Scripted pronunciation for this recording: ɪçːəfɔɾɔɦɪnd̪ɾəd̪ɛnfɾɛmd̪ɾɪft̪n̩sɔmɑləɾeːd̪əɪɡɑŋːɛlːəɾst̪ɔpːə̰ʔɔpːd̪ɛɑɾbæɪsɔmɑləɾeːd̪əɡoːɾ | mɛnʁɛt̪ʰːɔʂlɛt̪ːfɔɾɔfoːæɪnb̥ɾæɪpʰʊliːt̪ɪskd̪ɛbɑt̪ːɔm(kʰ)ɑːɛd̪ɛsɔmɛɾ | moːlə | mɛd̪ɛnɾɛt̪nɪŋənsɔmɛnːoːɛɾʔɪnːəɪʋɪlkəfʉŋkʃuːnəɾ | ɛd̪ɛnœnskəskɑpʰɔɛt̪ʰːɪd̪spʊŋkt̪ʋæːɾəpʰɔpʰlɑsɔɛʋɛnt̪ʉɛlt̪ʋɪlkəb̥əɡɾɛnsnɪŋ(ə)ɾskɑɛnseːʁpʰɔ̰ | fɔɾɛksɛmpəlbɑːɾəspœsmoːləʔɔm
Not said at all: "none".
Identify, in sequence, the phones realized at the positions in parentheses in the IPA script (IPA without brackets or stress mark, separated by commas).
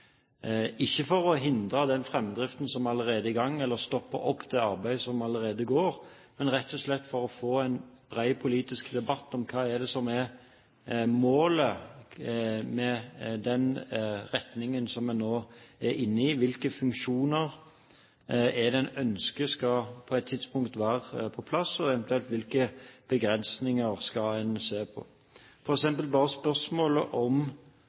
kʰ, ə